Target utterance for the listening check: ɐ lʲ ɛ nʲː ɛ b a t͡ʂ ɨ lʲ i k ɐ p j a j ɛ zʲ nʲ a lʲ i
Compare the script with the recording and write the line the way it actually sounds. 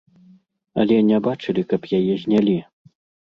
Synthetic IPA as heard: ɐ lʲ ɛ nʲ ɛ b a t͡ʂ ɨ lʲ i k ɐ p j a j ɛ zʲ nʲ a lʲ i